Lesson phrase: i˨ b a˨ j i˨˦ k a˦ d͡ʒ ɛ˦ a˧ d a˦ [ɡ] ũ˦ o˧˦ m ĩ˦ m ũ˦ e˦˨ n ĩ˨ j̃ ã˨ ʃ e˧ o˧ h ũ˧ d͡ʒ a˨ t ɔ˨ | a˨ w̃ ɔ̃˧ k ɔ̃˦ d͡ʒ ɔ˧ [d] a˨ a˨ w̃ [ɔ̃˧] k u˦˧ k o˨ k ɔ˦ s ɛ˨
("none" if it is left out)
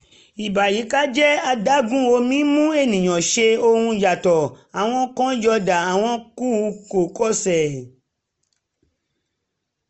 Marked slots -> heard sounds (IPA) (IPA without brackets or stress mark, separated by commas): ɡ, d, ɔ̃˧